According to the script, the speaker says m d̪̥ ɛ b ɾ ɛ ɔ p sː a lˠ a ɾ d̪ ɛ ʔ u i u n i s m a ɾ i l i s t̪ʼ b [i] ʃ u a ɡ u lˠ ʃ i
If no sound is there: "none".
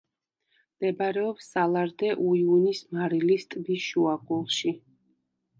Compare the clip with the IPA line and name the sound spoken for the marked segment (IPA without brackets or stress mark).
i